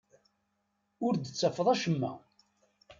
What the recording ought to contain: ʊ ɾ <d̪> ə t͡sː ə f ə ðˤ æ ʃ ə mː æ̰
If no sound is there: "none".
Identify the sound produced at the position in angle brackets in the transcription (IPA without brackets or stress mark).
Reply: d̪